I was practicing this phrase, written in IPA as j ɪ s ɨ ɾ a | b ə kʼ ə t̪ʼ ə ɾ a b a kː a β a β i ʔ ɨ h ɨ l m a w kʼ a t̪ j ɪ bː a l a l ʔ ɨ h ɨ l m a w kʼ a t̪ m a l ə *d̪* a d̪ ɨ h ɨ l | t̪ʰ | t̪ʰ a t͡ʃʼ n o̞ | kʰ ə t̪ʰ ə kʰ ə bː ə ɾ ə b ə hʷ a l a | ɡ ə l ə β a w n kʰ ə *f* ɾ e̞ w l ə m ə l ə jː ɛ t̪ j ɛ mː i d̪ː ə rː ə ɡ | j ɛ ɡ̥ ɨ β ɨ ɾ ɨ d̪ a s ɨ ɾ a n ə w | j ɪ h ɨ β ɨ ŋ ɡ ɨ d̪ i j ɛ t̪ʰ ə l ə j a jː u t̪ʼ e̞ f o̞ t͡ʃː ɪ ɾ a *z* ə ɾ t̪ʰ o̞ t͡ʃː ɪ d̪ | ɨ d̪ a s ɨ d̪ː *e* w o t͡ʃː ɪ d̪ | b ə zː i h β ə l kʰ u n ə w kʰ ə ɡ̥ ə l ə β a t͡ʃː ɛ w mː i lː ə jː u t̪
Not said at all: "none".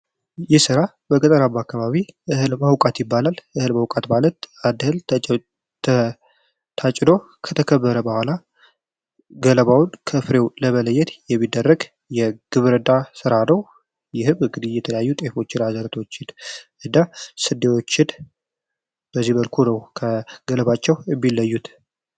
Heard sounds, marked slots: t̪, f, z, e

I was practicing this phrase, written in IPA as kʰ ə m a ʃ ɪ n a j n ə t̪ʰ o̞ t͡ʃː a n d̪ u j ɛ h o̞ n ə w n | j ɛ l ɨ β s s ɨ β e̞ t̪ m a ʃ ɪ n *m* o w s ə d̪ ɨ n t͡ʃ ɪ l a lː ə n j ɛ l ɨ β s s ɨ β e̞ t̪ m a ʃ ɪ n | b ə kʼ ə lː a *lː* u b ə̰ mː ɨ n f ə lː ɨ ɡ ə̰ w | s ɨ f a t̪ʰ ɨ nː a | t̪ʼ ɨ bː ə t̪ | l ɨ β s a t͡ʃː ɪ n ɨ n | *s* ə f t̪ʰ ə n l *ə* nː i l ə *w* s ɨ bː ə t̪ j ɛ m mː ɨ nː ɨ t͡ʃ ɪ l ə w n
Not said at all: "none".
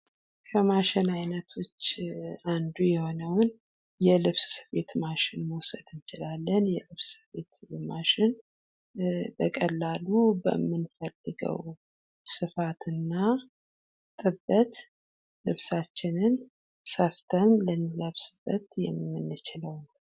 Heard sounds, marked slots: m, l, s, ə, β

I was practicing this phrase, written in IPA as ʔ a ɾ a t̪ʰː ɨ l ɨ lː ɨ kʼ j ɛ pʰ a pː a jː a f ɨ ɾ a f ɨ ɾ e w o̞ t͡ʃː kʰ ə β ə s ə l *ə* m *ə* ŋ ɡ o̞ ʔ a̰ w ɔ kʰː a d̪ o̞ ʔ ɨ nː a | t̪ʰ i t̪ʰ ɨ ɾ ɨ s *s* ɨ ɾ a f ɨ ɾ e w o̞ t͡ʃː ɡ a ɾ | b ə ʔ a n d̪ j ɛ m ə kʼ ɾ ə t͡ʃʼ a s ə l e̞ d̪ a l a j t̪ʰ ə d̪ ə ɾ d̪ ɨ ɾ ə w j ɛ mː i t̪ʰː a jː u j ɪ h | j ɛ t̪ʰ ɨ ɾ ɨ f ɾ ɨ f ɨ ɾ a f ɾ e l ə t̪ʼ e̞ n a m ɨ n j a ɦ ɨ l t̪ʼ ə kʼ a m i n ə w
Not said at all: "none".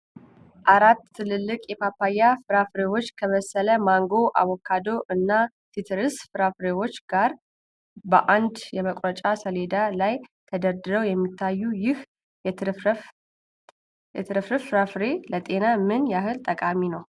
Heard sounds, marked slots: ə, a, f

